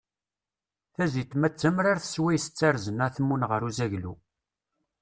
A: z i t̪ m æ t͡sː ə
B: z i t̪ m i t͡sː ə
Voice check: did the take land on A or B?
A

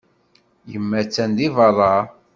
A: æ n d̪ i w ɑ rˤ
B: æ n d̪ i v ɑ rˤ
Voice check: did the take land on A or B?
B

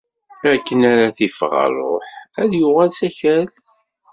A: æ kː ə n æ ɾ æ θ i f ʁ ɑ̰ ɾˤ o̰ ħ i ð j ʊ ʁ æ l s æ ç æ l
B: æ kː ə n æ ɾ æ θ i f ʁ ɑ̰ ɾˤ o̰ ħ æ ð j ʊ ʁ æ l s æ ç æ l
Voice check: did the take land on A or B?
B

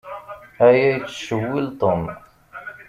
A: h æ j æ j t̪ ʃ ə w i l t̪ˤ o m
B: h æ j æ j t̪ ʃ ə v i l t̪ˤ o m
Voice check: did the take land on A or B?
A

